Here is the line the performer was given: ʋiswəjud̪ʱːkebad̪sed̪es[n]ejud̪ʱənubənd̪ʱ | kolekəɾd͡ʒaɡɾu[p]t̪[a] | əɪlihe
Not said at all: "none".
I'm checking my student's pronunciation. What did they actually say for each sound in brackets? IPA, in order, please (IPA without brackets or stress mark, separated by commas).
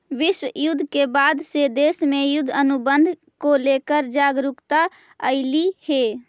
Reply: m, k, a